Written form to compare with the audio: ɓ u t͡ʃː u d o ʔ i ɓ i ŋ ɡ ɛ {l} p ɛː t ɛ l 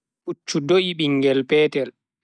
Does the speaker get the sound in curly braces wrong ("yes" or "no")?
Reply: no